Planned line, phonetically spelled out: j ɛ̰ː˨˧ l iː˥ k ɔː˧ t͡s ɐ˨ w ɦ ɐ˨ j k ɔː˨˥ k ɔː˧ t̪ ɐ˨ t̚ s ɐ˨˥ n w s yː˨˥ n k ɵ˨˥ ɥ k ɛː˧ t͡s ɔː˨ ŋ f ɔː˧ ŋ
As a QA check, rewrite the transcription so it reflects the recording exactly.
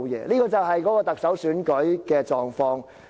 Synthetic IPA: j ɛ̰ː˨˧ l iː˥ k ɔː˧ t͡s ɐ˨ w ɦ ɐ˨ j k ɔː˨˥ k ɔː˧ t̪ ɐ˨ k̚ s ɐ˨˥ w s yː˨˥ n k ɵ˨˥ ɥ k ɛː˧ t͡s ɔː˨ ŋ f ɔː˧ ŋ

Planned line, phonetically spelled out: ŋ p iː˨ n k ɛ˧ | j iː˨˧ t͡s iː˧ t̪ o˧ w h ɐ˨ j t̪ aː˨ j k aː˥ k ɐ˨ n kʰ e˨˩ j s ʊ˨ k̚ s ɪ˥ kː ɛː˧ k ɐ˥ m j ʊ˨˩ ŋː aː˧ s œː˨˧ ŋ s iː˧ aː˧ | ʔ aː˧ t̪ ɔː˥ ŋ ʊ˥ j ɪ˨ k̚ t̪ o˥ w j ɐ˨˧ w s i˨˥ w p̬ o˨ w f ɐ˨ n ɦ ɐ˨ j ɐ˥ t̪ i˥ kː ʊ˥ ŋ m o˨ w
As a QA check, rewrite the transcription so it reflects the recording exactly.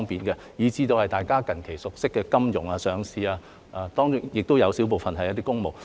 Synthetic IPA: ŋ p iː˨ n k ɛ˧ | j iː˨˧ t͡s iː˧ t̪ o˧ w h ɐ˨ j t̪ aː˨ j k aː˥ k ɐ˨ n kʰ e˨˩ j s ʊ˨ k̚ s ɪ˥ kː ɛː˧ k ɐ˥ m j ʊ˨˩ ŋ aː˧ s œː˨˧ ŋ s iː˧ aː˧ | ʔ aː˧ t̪ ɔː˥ ŋ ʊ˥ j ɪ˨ k̚ t̪ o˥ w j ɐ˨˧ w s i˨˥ w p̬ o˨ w f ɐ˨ n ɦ ɐ˨ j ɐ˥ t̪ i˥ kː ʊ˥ ŋ m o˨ w

